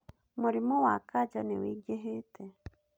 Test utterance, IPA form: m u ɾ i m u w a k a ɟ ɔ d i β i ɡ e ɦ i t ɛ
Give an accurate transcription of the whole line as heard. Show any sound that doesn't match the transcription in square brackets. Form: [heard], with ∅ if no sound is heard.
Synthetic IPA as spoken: m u ɾ i m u w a k a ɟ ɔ [n] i [w] i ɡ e ɦ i t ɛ